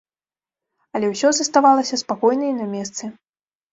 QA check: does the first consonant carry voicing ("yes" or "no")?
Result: yes